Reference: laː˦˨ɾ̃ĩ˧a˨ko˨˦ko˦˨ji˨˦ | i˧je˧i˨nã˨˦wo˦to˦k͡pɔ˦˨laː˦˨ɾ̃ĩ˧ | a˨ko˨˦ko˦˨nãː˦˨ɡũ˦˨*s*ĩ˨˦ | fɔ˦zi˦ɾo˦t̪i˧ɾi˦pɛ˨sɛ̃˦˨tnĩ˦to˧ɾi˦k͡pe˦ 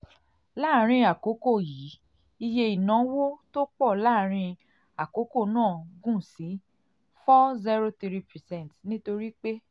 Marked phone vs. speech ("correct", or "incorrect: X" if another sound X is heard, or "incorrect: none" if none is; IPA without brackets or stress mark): correct